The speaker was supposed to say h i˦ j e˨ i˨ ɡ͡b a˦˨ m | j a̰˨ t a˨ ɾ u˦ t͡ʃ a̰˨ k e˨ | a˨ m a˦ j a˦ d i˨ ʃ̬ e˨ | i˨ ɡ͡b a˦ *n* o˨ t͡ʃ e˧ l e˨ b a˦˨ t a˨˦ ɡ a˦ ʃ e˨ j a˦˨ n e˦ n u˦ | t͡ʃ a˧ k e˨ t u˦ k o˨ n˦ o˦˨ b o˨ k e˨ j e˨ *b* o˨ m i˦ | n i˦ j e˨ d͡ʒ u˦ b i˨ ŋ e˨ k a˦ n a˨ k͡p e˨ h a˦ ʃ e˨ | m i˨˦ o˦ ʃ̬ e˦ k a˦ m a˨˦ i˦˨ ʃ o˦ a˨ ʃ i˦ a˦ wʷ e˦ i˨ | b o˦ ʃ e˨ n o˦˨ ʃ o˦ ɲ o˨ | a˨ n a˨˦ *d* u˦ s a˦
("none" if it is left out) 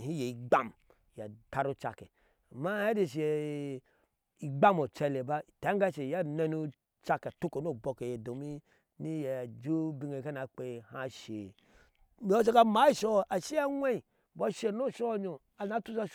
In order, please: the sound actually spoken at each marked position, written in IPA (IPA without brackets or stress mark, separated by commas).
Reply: m, d, t